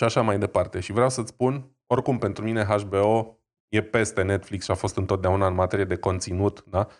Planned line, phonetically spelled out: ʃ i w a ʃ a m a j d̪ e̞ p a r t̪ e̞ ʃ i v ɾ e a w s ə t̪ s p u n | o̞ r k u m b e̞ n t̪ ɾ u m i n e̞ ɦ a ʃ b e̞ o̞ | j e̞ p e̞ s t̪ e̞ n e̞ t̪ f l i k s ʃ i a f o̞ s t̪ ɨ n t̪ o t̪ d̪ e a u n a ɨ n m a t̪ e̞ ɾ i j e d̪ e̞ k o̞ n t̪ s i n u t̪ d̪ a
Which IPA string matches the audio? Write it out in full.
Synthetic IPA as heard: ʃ i a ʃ a m a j d̪ e̞ p a r t̪ e̞ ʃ i v ɾ e a w s ə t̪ s p u n | o̞ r k u m p e̞ n t̪ ɾ u m i n e̞ ɦ a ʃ b e̞ o̞ | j e̞ p e̞ s t̪ e̞ n e̞ t̪ f l i k s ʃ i a f o̞ s t̪ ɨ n t̪ o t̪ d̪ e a u n a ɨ n m a t̪ e̞ ɾ i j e d̪ e̞ k o̞ n t̪ s i n u t̪ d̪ a